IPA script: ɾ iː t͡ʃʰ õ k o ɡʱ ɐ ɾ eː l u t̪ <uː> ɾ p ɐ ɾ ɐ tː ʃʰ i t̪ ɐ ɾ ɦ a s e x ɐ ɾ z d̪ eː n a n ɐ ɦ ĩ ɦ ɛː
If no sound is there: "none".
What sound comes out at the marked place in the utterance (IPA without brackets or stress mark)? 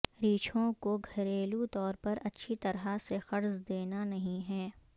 ɔː